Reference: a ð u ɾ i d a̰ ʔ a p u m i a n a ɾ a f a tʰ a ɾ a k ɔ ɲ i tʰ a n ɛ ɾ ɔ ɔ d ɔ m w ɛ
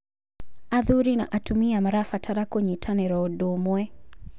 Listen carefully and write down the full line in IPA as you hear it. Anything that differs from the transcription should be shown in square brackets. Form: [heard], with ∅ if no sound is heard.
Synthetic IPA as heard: a ð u ɾ i [n] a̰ ʔ a [t] u m i a [m] a ɾ a f a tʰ a ɾ a k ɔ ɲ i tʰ a n ɛ ɾ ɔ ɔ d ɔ m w ɛ